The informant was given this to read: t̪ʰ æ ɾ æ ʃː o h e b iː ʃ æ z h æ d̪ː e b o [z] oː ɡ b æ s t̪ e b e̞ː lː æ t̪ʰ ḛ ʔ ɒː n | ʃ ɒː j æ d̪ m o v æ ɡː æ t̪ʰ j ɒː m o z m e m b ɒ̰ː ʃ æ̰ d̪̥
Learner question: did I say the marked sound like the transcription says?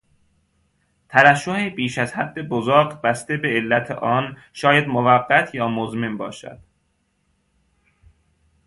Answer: yes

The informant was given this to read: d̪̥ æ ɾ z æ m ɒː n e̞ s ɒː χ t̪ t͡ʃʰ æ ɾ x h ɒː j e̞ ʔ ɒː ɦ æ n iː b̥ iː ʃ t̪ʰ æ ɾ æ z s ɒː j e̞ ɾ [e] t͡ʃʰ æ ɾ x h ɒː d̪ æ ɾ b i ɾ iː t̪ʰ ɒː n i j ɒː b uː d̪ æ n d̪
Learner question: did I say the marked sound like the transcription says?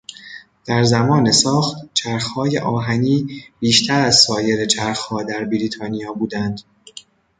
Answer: yes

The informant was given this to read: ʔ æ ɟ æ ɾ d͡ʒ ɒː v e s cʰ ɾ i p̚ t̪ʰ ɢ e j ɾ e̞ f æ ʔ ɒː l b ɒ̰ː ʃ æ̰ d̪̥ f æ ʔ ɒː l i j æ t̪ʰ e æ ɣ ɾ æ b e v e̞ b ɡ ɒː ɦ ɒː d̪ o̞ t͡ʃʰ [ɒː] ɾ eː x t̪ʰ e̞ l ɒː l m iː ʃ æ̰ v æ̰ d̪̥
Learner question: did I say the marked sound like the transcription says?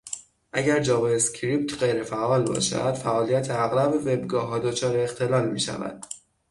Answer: yes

